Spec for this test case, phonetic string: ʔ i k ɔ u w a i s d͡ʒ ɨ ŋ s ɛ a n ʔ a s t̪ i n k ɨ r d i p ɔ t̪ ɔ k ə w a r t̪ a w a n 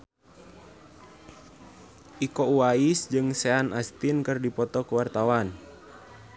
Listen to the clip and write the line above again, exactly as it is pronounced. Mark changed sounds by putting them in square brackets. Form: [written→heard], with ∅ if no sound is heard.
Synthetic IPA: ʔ i k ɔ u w a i s d͡ʒ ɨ ŋ s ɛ a n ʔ a s t̪ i n k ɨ r d i p ɔ t̪ ɔ k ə w a r t̪ a w a n